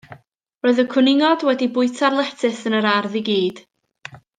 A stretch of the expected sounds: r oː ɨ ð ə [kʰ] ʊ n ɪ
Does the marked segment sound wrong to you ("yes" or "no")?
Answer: no